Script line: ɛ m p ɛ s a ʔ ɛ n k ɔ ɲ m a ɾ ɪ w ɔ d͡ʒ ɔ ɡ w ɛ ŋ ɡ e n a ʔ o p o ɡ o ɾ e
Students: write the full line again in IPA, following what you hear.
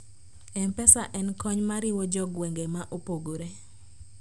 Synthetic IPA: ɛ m p ɛ s a ʔ ɛ n k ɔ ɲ m a ɾ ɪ w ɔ d͡ʒ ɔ ɡ w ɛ ŋ ɡ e m a ʔ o p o ɡ o ɾ e

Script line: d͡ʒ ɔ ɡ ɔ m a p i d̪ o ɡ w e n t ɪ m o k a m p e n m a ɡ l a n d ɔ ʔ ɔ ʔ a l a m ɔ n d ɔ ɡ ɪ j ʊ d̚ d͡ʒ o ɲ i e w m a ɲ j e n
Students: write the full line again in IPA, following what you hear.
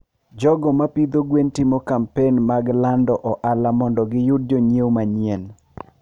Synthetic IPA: d͡ʒ ɔ ɡ ɔ m a p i d̪ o ɡ w e n t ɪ m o k a m p e n m a ɡ l a n d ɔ ʔ ɔ ʔ a l a m ɔ n d ɔ ɡ ɪ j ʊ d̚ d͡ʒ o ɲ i e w m a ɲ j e n

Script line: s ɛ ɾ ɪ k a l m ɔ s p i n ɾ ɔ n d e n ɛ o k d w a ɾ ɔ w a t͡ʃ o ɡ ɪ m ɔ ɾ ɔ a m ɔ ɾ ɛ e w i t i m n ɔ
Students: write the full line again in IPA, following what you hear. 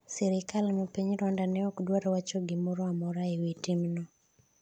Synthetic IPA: s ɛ ɾ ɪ k a l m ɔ p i ɲ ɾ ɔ n d a n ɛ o k d w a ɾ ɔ w a t͡ʃ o ɡ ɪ m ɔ ɾ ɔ a m ɔ ɾ a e w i t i m n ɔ

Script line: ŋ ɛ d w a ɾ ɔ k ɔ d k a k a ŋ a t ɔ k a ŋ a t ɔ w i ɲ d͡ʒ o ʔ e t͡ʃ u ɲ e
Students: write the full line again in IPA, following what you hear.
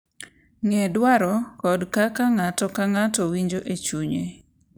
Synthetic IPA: ŋ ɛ d w a ɾ ɔ k ɔ d k a k a ŋ a t ɔ k a ŋ a t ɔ w i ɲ d͡ʒ o ʔ e t͡ʃ u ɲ e

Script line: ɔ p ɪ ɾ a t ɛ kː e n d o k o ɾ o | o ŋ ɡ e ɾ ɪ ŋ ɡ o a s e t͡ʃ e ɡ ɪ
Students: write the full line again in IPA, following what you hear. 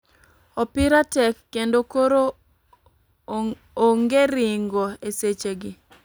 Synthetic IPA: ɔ p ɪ ɾ a t ɛ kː e n d o k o ɾ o | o ŋ ɡ e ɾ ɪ ŋ ɡ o e s e t͡ʃ e ɡ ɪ

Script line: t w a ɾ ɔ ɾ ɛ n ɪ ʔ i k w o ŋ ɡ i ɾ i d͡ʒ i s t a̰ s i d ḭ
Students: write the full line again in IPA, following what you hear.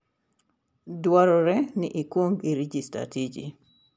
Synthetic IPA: d w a ɾ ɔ ɾ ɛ n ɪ ʔ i k w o ŋ ɡ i ɾ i d͡ʒ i s t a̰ t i d͡ʒ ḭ

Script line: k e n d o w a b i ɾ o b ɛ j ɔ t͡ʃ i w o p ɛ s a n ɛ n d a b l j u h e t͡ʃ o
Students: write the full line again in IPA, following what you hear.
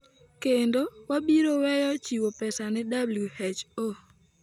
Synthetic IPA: k e n d o w a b i ɾ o w ɛ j ɔ t͡ʃ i w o p ɛ s a n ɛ d a b l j u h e t͡ʃ o

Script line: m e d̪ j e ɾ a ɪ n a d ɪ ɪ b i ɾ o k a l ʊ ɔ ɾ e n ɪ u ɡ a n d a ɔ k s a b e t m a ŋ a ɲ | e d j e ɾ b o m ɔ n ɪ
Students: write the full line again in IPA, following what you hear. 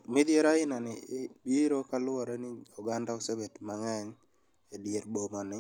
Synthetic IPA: m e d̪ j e ɾ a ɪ n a n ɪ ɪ b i ɾ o k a l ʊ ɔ ɾ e n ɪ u ɡ a n d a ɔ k s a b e t m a ŋ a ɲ | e d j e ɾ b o m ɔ n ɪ

